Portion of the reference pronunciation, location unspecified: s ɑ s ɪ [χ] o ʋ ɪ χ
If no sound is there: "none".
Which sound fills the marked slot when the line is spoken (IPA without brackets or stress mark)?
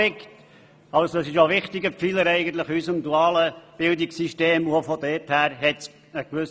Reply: ʃ